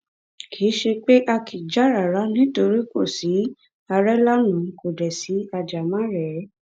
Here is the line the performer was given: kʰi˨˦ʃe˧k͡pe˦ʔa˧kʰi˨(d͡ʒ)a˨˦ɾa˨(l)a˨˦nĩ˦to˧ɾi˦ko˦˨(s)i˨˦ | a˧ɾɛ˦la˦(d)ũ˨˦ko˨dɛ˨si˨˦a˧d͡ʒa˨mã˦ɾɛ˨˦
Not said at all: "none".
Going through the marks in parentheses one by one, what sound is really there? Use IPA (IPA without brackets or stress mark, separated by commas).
d͡ʒ, ɾ, s, n